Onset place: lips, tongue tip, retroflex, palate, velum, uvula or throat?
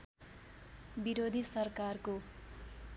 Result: lips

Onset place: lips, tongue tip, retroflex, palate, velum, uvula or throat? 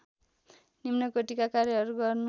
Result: tongue tip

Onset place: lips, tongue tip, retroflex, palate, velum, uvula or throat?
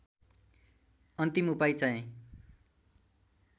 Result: tongue tip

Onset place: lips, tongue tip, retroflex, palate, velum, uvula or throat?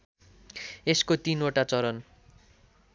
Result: tongue tip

